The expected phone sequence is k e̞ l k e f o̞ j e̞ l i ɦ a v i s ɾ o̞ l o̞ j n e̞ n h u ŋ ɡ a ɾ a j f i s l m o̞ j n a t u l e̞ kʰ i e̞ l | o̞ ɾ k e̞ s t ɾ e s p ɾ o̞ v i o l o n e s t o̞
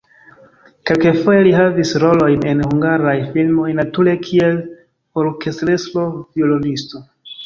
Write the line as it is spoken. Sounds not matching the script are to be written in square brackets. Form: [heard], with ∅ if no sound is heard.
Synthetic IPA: k e̞ l k e f o̞ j e̞ l i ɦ a v i s ɾ o̞ l o̞ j n e̞ n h u ŋ ɡ a ɾ a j f i [∅] l m o̞ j n a t u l e̞ kʰ i e̞ l | o̞ ɾ k e̞ s t ɾ e s [t] ɾ o̞ v i o l o n [i] s t o̞